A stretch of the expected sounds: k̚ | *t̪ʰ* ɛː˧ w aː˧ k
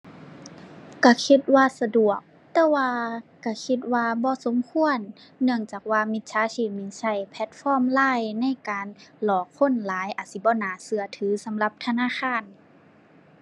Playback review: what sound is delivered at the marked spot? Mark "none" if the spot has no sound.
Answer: t̪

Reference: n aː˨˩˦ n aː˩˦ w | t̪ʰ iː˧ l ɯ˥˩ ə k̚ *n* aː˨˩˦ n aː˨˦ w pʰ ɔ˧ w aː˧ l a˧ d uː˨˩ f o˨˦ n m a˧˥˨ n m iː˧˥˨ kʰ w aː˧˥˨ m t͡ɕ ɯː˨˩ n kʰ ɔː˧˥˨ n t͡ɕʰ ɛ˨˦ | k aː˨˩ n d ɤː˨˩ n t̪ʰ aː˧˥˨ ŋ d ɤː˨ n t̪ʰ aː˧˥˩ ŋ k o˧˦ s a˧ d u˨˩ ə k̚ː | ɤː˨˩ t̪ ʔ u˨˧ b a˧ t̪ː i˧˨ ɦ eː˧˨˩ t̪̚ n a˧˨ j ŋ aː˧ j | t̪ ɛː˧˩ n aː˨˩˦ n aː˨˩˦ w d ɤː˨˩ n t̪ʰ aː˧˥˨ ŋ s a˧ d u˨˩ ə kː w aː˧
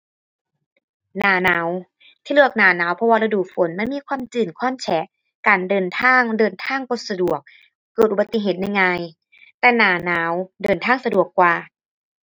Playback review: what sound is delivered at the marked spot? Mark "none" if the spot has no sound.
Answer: n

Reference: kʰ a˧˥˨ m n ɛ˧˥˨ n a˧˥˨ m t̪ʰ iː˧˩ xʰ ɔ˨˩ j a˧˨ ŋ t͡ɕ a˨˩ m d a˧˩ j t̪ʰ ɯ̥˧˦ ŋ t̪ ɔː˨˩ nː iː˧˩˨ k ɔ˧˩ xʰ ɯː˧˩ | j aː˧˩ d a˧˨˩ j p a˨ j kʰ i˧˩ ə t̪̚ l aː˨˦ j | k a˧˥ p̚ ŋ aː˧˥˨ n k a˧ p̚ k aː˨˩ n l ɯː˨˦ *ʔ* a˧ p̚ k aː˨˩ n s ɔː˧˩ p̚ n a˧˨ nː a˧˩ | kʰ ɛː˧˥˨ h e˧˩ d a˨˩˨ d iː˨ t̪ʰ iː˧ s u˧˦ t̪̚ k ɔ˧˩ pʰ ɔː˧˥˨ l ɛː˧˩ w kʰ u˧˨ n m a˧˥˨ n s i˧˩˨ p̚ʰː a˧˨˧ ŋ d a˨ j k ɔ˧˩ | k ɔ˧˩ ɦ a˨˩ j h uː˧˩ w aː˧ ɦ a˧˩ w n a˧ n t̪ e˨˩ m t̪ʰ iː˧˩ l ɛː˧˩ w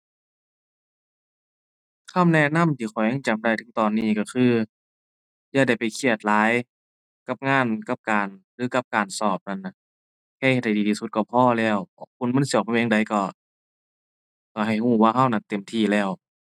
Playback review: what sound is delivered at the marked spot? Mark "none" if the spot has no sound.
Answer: k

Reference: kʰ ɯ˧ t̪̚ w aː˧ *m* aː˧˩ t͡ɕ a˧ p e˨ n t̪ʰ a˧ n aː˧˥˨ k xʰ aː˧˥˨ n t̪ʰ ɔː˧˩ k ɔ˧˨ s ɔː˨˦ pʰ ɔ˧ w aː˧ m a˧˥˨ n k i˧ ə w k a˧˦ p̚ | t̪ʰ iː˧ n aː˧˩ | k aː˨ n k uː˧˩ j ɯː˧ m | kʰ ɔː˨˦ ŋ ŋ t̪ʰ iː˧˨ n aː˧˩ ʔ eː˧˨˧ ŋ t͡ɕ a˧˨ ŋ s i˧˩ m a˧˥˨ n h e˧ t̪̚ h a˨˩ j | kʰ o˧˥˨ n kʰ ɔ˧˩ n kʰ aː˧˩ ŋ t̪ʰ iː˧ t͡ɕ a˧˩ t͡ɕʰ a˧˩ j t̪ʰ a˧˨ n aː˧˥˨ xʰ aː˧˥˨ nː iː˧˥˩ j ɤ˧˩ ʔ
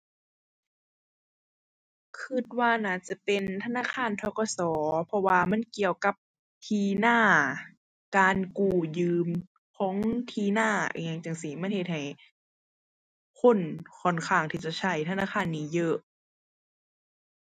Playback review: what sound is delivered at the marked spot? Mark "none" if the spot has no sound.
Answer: n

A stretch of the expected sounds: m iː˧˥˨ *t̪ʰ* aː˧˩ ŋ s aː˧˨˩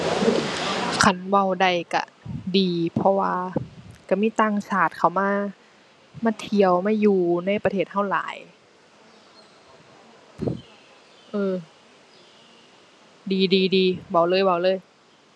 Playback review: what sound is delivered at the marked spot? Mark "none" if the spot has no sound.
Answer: t̪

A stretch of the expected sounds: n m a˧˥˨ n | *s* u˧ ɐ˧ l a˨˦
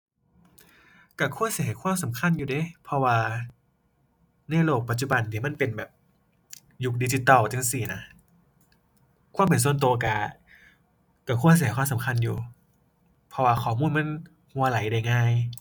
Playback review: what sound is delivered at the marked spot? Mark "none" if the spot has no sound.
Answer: h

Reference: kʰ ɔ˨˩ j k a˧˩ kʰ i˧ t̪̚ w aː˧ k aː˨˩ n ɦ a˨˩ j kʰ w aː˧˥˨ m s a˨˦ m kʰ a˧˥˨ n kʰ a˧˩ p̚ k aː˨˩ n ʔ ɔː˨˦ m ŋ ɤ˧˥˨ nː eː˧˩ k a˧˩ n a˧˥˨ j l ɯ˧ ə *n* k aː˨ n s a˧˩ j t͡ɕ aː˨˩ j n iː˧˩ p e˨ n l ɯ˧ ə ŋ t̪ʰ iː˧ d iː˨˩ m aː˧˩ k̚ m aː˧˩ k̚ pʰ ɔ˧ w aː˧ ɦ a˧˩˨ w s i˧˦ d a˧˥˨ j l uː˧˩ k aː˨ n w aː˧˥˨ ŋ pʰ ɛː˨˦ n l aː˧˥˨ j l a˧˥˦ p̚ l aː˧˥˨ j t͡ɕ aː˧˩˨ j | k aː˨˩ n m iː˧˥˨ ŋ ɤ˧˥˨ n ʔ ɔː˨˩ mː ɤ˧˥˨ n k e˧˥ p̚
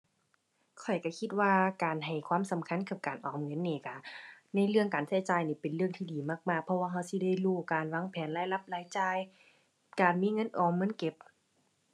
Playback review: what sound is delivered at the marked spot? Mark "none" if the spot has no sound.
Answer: ŋ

